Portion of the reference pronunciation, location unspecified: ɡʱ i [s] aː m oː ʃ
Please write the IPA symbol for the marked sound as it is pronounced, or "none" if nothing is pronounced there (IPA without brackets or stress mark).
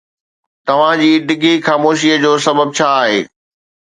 x